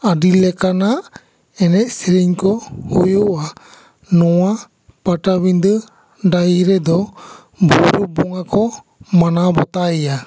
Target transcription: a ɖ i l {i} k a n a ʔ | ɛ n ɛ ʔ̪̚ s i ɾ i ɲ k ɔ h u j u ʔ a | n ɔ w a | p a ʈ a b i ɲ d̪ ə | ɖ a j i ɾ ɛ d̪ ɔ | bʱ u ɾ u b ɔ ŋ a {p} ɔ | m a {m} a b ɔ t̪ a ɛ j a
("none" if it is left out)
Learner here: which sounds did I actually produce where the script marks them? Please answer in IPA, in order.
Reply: ɛ, k, n

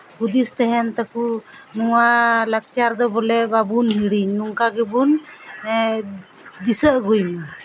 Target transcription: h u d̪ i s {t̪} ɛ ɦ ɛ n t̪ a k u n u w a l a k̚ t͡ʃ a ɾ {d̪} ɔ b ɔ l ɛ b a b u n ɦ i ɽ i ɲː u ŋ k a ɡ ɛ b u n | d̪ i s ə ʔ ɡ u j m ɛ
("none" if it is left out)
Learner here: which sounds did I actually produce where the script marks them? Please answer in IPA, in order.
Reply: t̪, d̪

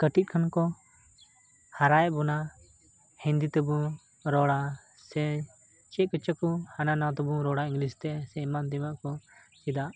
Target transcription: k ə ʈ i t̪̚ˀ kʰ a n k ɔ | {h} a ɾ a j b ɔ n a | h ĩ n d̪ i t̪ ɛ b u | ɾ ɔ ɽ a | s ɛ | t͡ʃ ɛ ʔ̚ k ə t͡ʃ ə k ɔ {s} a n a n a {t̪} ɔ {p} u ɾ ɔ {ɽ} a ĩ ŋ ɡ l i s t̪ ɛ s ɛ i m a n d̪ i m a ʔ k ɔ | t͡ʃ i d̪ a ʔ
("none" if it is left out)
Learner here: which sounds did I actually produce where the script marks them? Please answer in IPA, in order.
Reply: h, h, t̪, b, ɽ

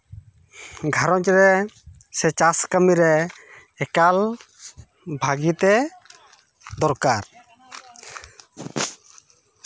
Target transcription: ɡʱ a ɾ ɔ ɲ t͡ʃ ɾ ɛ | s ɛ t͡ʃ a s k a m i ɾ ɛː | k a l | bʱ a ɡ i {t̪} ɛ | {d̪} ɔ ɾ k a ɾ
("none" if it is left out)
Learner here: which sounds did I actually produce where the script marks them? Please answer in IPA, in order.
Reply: t̪, d̪

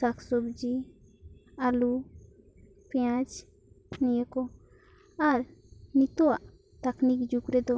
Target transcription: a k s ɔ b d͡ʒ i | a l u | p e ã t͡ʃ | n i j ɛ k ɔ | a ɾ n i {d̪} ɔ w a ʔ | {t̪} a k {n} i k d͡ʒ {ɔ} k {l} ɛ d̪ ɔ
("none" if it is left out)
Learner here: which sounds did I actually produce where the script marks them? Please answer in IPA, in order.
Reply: t̪, t̪, n, u, ɾ

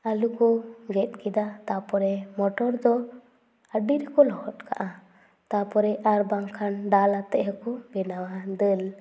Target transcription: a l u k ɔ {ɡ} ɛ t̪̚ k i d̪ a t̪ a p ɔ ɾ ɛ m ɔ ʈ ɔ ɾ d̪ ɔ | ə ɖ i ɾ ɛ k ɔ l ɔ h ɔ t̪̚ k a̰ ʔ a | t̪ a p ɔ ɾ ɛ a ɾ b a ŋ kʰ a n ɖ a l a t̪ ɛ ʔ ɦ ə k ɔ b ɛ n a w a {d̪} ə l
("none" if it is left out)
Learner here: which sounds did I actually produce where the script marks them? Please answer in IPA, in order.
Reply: ɡ, d̪

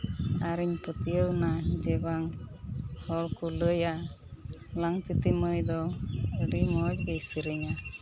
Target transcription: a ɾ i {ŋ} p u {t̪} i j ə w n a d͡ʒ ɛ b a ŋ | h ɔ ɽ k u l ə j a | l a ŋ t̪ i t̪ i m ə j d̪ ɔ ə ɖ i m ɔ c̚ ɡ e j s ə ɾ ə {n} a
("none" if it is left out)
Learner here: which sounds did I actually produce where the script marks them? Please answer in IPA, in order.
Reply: ɲ, t̪, ɲ

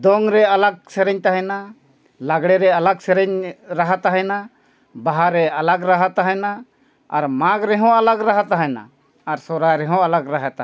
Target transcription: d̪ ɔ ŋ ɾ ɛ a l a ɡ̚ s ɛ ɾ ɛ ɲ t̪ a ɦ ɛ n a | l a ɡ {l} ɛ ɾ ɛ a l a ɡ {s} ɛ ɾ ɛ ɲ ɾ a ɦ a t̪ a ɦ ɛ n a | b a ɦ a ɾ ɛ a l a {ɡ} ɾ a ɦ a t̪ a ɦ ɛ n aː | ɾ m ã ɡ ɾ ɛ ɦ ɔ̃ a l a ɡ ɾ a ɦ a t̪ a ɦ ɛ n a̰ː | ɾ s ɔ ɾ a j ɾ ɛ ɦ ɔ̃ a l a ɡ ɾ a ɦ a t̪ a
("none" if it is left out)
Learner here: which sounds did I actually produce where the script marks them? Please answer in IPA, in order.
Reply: ɽ, s, ɡ

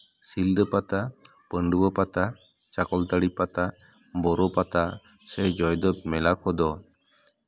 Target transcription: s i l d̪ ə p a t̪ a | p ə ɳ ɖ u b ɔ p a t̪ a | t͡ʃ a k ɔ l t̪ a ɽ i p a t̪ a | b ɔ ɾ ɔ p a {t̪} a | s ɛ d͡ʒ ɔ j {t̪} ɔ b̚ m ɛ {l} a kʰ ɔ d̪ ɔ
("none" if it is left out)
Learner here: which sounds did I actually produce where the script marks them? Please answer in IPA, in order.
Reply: t̪, d̪, l

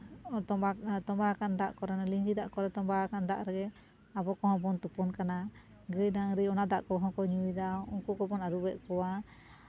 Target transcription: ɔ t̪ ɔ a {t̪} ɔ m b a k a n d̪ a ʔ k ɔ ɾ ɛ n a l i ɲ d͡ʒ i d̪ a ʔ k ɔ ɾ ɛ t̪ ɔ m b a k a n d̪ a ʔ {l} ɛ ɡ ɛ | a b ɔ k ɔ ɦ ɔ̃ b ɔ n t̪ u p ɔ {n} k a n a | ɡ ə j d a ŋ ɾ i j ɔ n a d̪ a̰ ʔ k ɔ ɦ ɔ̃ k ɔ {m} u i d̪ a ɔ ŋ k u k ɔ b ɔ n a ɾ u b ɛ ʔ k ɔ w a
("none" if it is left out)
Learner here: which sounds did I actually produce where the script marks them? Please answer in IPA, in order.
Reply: t̪, ɾ, n, ɲ

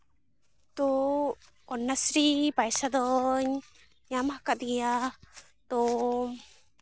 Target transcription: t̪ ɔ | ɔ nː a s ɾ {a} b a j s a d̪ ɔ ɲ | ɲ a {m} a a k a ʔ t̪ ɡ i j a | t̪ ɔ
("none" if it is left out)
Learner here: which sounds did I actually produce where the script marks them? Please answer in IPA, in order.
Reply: i, m

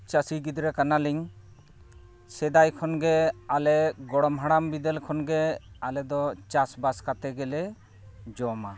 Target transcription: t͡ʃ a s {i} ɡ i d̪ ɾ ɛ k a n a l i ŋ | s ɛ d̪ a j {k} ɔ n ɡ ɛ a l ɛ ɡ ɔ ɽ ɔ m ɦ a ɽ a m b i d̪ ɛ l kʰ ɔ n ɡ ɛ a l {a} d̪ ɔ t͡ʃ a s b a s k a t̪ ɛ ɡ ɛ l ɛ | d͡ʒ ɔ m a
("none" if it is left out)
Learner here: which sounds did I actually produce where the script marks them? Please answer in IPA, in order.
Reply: i, kʰ, ɛ

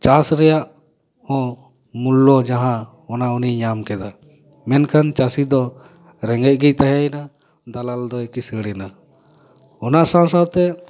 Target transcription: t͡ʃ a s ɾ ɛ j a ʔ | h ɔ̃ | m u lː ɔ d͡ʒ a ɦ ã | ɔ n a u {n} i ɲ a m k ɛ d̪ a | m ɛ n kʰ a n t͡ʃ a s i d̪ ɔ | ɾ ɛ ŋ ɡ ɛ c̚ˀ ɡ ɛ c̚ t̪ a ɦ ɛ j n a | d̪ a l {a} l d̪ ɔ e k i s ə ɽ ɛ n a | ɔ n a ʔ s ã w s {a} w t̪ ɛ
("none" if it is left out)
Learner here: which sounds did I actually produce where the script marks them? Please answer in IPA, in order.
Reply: n, a, a

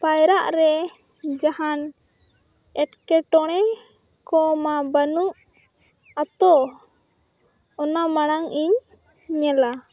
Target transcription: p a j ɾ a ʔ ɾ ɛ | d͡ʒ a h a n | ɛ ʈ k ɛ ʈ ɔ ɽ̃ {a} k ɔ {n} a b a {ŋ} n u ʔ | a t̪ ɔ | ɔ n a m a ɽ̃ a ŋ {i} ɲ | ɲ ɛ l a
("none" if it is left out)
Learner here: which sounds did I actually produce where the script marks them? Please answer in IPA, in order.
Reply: ɛ, m, none, i

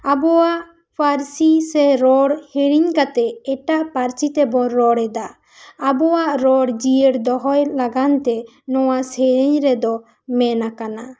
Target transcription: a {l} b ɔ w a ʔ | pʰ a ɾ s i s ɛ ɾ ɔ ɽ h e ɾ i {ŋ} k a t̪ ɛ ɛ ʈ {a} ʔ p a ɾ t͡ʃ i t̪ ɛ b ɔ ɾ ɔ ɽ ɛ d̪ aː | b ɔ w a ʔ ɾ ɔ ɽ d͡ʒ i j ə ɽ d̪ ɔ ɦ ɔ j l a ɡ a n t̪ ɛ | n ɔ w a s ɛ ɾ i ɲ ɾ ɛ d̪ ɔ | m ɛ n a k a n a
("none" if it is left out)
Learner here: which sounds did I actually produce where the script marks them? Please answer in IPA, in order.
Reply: none, ɲ, a

